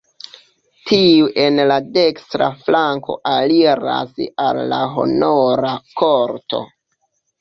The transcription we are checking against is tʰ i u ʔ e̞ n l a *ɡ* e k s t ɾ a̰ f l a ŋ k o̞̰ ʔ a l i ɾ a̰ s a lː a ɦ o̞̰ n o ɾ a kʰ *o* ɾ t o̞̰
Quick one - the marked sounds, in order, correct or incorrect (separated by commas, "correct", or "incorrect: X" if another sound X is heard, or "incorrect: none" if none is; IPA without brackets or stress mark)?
incorrect: d, correct